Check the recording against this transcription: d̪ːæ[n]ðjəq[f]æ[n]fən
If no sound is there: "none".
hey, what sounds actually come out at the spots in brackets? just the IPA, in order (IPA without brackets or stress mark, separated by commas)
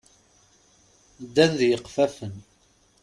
n, f, none